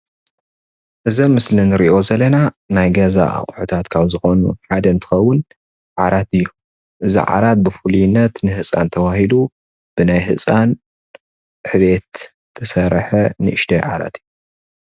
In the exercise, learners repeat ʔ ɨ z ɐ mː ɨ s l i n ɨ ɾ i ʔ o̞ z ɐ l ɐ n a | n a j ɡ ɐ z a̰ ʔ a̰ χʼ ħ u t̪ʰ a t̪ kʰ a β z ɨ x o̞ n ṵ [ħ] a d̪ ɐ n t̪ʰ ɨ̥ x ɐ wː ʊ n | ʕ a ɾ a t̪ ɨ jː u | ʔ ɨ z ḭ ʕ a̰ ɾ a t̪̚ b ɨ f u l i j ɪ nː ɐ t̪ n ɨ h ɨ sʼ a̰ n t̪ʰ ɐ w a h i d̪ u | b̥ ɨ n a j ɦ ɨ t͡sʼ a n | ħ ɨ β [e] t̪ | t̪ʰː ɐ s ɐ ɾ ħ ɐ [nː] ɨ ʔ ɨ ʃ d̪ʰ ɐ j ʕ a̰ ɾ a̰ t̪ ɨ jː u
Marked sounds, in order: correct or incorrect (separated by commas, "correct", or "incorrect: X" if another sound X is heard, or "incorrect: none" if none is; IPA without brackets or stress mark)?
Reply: correct, correct, incorrect: n